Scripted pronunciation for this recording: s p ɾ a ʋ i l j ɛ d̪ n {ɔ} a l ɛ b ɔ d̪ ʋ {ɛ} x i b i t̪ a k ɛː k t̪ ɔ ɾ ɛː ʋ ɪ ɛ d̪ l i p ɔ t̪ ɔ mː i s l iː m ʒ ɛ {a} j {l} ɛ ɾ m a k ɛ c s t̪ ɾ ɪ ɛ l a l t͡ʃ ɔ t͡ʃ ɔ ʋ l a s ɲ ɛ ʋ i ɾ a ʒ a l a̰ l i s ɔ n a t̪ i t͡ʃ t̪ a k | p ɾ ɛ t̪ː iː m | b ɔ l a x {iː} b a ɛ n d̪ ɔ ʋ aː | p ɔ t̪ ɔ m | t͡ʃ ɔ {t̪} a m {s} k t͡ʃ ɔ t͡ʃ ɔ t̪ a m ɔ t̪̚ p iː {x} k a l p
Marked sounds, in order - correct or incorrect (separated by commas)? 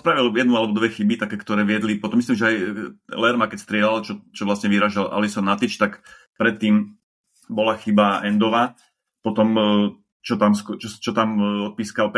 incorrect, correct, correct, correct, incorrect, correct, correct, incorrect